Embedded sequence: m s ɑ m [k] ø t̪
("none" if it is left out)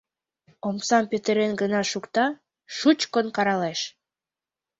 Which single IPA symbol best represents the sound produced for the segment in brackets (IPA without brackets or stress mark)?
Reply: p